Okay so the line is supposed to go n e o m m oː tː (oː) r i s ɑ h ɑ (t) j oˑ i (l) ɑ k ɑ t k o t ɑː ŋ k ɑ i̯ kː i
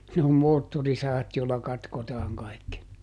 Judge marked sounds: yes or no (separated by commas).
no, yes, no